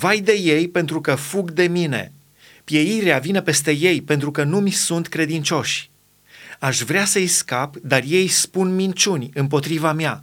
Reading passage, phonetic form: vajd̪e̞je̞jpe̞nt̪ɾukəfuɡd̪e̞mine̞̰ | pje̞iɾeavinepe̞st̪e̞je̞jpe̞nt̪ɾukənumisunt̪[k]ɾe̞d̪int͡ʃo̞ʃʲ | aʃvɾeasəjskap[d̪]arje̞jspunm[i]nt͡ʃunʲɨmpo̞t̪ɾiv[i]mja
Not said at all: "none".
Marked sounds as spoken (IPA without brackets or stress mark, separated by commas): k, d̪, i, a